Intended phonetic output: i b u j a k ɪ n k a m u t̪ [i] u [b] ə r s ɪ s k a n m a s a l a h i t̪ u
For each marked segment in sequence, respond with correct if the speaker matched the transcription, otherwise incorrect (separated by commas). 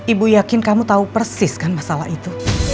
incorrect, incorrect